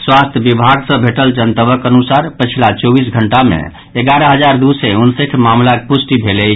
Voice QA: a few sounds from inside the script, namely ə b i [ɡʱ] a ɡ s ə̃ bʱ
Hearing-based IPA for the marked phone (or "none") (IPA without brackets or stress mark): bʱ